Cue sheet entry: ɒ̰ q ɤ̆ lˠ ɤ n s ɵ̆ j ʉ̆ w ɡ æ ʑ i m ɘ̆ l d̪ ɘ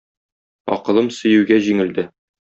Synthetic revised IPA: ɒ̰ q ɤ̆ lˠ ɤ m s ɵ̆ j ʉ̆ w ɡ æ ʑ i ŋ ɘ̆ l d̪ ɘ

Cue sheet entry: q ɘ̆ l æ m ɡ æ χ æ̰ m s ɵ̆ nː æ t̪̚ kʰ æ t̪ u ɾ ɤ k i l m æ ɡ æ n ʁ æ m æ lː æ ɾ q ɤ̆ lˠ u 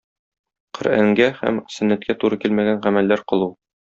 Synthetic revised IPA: q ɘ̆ ɾ æ ŋ ɡ æ h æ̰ m s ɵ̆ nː æ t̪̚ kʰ æ t̪ u ɾ ɤ k i l m æ ɡ æ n ʁ æ m æ lː æ ɾ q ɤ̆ lˠ u

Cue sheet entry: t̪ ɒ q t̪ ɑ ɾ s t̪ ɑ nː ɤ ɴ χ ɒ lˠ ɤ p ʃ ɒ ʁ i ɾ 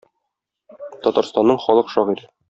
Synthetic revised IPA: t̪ ɒ t̪ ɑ ɾ s t̪ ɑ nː ɤ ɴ χ ɒ lˠ ɤ q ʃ ɒ ʁ i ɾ

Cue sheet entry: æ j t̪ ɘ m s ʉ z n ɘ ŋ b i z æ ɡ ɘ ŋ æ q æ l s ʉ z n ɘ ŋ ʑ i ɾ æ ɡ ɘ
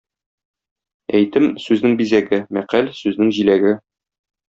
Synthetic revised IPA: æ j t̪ ɘ m s ʉ z n ɘ ŋ b i z æ ɡ ɘ m æ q æ l s ʉ z n ɘ ŋ ʑ i l æ ɡ ɘ

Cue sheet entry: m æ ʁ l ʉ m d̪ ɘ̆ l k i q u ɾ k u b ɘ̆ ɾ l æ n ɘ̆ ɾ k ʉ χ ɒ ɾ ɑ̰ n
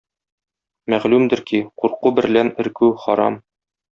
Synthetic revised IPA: m æ ʁ l ʉ m d̪ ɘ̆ ɾ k i q u ɾ q u b ɘ̆ ɾ l æ n ɘ̆ ɾ k ʉ χ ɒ ɾ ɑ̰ m

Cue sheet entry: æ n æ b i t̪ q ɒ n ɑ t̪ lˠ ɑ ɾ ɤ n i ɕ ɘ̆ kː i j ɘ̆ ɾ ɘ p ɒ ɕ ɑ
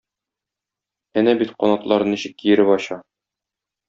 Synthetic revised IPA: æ n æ b i t̪ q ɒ n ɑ t̪ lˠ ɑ ɾ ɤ n i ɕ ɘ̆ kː i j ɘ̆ ɾ ɘ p ɒ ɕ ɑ

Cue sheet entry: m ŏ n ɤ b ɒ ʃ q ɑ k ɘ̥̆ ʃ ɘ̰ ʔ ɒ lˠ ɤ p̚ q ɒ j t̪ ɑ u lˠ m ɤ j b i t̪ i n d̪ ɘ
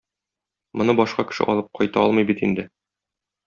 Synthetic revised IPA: m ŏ n ɤ b ɒ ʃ q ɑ k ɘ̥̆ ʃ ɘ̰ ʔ ɒ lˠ ɤ p̚ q ɒ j t̪ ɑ ɒ lˠ m ɤ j b i t̪ i n d̪ ɘ

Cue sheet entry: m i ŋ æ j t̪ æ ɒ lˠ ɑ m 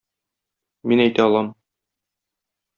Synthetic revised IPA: m i n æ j t̪ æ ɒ lˠ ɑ m

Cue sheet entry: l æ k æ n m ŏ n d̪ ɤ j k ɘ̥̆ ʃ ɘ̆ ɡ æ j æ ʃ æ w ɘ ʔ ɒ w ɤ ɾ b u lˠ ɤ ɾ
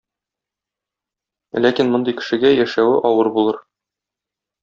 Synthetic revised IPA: l æ k i n m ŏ n d̪ ɤ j k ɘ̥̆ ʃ ɘ̆ ɡ æ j æ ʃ æ w ɘ ʔ ɒ w ɤ ɾ b u lˠ ɤ ɾ

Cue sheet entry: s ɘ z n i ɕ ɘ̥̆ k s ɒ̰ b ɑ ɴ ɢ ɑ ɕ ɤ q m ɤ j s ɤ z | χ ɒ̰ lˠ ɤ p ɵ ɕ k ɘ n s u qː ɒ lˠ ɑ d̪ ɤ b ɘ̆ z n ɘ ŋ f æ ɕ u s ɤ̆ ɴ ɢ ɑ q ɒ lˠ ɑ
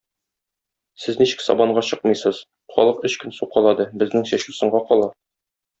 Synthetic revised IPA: s ɘ z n i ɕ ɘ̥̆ k s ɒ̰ b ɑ ɴ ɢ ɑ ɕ ɤ q m ɤ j s ɤ z | χ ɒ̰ lˠ ɤ q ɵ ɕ k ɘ n s u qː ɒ lˠ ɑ d̪ ɤ b ɘ̆ z n ɘ ŋ ɕ æ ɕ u s ɤ̆ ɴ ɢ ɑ q ɒ lˠ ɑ

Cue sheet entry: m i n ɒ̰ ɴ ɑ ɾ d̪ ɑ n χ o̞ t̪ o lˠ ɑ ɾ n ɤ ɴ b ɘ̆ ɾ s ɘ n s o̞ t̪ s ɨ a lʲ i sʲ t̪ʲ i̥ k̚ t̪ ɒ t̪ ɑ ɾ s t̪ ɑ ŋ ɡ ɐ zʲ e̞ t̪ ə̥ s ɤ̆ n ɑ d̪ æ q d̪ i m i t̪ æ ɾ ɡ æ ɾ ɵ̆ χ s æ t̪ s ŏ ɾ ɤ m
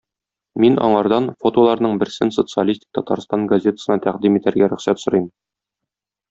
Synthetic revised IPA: m i n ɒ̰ ɴ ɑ ɾ d̪ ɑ n f o̞ t̪ o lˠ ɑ ɾ n ɤ ɴ b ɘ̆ ɾ s ɘ n s o̞ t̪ s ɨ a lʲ i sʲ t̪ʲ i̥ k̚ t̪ ɒ t̪ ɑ ɾ s t̪ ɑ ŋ ɡ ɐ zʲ e̞ t̪ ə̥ s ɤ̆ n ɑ t̪ æ q d̪ i m i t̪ æ ɾ ɡ æ ɾ ɵ̆ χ s æ t̪ s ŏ ɾ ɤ m

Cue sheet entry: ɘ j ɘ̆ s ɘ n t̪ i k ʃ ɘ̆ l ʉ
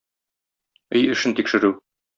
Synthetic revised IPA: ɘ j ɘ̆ ʃ ɘ n t̪ i k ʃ ɘ̆ ɾ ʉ

